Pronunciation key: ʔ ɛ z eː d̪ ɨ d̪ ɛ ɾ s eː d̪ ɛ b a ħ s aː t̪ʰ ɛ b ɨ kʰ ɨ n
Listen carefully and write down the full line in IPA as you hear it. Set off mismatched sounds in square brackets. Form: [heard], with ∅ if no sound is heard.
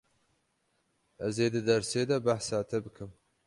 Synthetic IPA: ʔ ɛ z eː d̪ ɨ d̪ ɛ ɾ s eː d̪ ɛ b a ħ s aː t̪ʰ ɛ b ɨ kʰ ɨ [m]